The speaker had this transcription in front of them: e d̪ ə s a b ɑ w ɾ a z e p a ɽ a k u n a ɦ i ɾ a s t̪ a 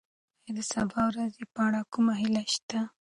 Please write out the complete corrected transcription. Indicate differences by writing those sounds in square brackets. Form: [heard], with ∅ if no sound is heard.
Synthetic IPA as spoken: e d̪ ə s a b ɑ w ɾ a z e p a ɽ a k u [m] a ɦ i [l] a [ʃ] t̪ a